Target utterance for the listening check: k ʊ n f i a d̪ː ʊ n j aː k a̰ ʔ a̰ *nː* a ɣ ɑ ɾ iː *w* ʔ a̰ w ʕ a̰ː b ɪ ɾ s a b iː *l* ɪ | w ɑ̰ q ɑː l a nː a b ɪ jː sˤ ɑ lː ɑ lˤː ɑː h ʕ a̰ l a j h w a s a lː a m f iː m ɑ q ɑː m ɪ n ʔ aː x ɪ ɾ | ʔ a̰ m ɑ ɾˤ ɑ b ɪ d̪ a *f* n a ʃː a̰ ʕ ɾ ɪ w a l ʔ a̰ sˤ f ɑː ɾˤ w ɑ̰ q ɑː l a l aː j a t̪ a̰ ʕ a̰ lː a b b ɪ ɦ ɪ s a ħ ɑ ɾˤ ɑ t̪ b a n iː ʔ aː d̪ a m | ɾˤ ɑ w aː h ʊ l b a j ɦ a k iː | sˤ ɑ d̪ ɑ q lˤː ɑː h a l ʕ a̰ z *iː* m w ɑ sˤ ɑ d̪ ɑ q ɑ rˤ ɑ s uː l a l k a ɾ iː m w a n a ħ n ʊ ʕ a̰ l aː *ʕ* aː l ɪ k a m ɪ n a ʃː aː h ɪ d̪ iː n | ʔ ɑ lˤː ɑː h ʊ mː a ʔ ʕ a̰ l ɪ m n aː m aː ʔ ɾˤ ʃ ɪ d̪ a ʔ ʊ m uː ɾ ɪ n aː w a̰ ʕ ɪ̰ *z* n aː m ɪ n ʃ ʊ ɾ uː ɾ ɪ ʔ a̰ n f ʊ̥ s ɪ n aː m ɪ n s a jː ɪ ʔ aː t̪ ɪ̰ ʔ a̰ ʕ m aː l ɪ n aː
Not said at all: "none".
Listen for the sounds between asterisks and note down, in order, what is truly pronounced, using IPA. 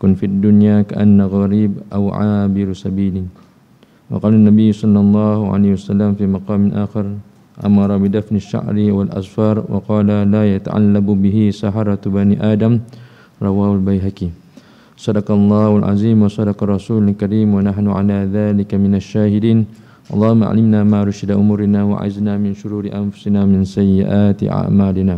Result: nː, b, l, f, iː, ð, z

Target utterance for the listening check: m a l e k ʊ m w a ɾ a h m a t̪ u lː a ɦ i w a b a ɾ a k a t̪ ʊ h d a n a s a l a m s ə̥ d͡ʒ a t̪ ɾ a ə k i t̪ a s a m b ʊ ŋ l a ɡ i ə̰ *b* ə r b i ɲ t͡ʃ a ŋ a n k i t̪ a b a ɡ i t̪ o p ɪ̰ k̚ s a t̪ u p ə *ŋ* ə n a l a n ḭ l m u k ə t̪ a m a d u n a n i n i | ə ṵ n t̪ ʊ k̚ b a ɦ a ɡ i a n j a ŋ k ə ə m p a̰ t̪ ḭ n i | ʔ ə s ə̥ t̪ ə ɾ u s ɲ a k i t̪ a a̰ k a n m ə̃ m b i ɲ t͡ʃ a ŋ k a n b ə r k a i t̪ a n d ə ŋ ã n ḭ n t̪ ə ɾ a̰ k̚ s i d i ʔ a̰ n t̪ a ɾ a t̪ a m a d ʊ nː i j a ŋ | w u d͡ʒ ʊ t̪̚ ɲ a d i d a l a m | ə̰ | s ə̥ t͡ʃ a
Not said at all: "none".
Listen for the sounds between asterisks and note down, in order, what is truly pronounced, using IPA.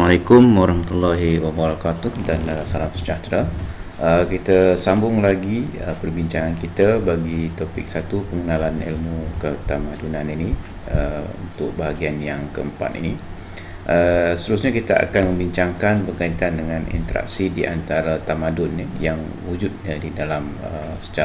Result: p, ŋ

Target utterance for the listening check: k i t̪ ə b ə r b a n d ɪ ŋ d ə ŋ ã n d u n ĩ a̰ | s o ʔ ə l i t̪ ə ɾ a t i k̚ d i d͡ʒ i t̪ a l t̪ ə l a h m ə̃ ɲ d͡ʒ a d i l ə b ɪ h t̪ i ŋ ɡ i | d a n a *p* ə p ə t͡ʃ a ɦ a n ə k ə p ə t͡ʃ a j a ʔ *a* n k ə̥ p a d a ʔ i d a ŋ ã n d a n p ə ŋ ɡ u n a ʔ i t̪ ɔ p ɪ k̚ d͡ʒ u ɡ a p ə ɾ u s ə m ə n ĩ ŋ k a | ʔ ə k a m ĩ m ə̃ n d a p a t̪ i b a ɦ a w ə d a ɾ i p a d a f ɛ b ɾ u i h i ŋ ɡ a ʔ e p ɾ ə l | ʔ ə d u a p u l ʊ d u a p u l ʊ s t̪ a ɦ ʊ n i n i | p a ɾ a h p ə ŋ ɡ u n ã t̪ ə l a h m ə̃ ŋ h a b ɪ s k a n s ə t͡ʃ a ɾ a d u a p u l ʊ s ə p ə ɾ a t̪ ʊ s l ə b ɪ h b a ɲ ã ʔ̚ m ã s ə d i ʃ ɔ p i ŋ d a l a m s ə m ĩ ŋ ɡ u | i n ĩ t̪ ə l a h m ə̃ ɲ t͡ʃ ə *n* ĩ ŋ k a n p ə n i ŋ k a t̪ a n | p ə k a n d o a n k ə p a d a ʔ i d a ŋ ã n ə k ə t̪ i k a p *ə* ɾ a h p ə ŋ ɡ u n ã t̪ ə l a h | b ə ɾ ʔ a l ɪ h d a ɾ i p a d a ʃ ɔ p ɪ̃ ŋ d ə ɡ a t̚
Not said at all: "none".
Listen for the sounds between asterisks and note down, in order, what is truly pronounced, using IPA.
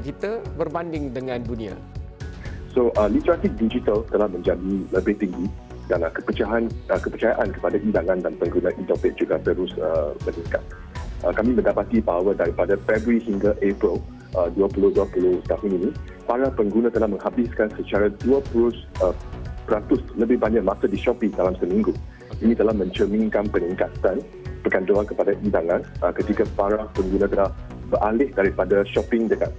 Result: k, a, m, a

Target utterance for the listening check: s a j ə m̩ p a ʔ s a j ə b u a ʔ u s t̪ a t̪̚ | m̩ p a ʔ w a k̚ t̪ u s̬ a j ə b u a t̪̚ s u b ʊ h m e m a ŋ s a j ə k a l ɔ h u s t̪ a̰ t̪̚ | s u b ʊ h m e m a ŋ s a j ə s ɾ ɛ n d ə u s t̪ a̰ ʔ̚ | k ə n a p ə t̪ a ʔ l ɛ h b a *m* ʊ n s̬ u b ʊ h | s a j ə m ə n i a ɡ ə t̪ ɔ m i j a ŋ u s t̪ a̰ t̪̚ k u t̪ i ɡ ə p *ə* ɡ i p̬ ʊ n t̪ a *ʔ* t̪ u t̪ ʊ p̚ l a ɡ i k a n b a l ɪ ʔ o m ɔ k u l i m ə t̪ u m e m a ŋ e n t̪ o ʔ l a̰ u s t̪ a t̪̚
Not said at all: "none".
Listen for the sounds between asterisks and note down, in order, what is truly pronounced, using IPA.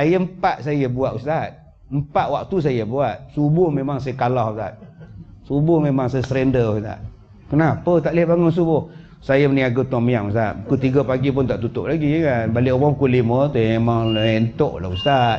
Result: ŋ, a, ʔ

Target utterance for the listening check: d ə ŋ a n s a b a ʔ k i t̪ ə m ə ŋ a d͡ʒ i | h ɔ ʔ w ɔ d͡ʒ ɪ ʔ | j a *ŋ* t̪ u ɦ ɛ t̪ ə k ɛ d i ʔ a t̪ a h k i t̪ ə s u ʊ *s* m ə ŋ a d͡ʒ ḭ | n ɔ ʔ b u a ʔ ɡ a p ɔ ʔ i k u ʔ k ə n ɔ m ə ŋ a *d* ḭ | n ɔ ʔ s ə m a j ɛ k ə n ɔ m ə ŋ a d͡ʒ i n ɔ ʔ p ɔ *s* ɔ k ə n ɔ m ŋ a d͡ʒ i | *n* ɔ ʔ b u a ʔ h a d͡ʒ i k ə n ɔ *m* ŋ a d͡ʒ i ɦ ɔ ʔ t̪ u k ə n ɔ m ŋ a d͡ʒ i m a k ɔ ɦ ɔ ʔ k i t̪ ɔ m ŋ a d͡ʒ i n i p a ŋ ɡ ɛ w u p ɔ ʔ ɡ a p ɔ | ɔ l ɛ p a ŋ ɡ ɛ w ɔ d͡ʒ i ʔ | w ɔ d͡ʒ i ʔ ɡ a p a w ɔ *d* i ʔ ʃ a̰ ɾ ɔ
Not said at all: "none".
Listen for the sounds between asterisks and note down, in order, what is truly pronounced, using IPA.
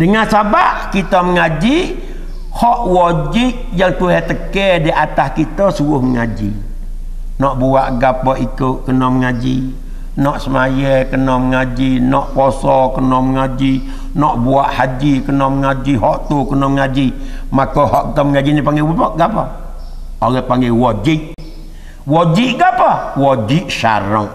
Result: ŋ, h, d͡ʒ, s, n, m, d͡ʒ

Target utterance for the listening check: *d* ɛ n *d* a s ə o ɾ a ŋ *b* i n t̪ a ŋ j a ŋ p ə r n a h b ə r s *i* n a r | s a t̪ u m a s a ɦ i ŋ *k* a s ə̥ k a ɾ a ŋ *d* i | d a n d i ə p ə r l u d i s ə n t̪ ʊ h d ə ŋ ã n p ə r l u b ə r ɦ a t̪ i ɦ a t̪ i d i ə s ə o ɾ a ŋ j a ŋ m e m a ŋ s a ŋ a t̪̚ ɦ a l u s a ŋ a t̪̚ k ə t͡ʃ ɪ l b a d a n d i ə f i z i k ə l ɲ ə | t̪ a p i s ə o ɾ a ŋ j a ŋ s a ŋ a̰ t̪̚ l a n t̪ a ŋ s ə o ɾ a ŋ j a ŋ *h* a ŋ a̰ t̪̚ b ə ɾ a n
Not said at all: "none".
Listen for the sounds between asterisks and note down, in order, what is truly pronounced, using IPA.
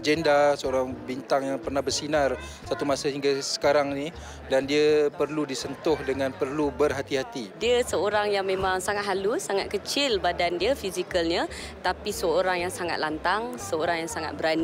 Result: d͡ʒ, d, b, i, ɡ, n, s

